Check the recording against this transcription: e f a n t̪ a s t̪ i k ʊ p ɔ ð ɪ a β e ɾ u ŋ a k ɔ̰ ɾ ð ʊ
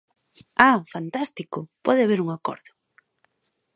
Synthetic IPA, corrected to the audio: a f a n t̪ a s t̪ i k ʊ p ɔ ð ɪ a β e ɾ u ŋ a k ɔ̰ ɾ ð ʊ

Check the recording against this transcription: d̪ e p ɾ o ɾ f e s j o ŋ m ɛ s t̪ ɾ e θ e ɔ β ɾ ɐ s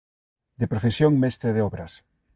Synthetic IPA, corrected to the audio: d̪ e p ɾ o f e s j o ŋ m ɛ s t̪ ɾ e ð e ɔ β ɾ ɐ s

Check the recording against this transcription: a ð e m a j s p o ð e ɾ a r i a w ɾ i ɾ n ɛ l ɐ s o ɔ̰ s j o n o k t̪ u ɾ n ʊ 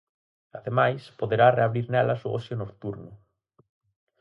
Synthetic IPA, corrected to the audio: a ð e m a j s p o ð e ɾ a r e a β ɾ i ɾ n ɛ l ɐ s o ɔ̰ s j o n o k t̪ u ɾ n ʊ

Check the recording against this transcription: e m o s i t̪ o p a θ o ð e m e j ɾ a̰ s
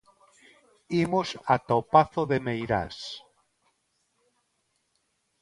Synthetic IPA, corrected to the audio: i m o s a t̪ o p a θ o ð e m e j ɾ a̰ s

